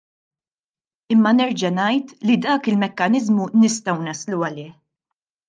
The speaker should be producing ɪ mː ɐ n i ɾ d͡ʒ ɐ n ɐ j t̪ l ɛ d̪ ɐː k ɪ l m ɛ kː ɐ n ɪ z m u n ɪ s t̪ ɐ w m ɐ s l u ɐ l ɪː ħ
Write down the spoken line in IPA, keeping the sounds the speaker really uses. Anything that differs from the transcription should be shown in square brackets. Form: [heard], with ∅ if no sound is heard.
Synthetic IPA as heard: ɪ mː ɐ n [ɛ] ɾ d͡ʒ ɐ n ɐ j t̪ l [i] d̪ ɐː k ɪ l m ɛ kː ɐ n ɪ z m u n ɪ s t̪ ɐ w [n] ɐ s l u ɐ l ɪː ħ